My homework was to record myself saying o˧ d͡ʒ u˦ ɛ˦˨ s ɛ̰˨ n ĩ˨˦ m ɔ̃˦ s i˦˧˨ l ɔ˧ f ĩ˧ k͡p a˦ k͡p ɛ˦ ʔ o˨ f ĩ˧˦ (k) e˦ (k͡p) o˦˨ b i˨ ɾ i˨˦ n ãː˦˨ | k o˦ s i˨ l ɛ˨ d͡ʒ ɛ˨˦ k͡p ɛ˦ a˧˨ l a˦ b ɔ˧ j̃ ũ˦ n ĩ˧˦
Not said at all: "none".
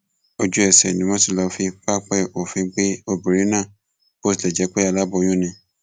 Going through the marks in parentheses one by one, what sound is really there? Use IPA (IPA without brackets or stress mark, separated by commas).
k͡p, none